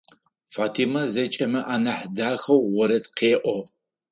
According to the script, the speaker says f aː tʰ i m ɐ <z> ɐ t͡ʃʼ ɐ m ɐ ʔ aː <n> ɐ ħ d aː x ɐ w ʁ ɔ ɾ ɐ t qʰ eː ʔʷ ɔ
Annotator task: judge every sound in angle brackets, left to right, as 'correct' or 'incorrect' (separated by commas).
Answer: correct, correct